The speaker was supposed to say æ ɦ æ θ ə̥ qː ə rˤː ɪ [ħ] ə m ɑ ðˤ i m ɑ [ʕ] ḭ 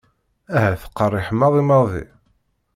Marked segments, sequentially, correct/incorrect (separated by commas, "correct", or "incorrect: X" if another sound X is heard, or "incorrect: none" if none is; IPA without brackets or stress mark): correct, incorrect: ð